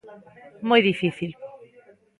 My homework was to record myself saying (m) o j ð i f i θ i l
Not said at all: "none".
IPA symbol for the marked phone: m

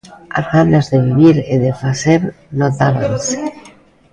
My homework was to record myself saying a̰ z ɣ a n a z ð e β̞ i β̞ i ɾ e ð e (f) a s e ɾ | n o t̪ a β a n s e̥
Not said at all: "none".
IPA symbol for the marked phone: f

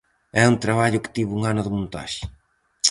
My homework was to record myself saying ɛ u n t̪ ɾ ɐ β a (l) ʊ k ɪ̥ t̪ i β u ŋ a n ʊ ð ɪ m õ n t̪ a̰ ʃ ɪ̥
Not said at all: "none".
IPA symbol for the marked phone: ʎ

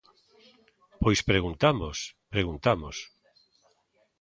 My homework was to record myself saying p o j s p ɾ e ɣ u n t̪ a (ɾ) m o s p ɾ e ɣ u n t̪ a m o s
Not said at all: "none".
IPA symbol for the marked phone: none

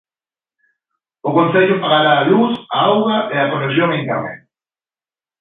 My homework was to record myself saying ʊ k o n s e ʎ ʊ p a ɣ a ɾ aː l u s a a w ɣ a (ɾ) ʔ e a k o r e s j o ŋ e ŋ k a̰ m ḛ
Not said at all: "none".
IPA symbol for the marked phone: none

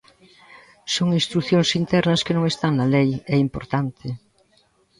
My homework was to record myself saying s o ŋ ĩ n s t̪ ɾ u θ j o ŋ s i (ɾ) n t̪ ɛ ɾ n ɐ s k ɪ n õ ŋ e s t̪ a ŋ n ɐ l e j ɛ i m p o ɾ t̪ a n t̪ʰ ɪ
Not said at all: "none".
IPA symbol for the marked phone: none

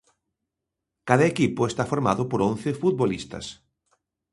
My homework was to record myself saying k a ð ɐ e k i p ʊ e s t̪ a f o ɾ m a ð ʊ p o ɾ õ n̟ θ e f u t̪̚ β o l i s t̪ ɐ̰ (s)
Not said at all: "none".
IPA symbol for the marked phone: s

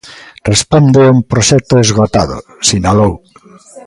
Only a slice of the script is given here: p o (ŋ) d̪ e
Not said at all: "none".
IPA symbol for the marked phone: n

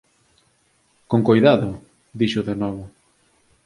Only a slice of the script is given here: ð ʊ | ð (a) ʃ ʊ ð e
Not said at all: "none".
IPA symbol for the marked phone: i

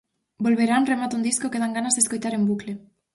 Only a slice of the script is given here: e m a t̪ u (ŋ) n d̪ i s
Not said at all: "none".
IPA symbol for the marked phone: none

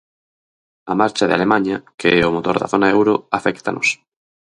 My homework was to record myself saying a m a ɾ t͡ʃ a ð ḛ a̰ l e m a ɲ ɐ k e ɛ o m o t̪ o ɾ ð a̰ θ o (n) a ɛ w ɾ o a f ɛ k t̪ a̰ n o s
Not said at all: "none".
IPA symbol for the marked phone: n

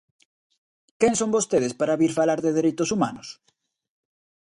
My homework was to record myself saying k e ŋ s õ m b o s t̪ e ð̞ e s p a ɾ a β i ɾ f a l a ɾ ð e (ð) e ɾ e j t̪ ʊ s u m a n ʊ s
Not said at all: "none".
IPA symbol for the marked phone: ð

